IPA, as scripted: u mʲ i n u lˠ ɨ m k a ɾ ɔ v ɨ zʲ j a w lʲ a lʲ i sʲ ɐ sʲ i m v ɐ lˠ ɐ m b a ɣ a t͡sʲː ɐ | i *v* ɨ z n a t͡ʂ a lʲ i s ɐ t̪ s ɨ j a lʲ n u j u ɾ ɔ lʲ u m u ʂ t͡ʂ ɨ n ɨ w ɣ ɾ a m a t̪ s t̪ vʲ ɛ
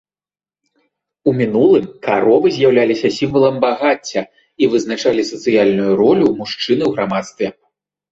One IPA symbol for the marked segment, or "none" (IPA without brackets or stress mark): v